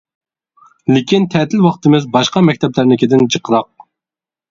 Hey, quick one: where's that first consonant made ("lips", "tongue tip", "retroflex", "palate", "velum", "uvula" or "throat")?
tongue tip